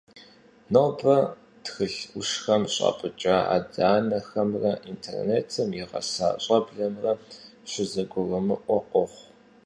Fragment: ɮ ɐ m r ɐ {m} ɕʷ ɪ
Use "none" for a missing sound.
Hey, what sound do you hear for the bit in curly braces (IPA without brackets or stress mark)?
none